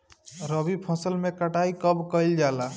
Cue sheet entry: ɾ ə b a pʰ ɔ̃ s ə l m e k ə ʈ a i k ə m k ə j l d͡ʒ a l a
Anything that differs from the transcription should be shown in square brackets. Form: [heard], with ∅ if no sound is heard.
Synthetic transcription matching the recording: ɾ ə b [i] pʰ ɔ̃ s ə l m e k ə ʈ a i k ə [b] k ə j l d͡ʒ a l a

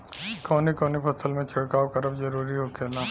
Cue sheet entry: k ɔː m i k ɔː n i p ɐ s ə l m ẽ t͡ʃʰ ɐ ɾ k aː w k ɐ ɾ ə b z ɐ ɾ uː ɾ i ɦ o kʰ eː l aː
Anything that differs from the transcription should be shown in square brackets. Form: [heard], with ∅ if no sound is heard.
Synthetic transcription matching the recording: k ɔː [n] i k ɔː n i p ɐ s ə l m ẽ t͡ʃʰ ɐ [ɽ] k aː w k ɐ ɾ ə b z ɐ ɾ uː ɾ i ɦ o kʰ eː l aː

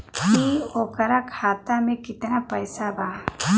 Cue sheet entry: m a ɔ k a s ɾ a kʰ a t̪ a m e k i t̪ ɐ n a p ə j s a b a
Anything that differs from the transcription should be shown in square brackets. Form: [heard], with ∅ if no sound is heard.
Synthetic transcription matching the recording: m [i] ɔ k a [∅] ɾ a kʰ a t̪ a m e k i t̪ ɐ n a p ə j s a b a

